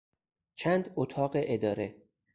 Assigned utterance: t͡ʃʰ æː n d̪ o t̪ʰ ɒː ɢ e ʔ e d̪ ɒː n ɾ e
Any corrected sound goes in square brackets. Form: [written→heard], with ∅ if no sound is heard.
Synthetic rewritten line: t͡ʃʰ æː n d̪ o t̪ʰ ɒː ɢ e ʔ e d̪ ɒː [n→∅] ɾ e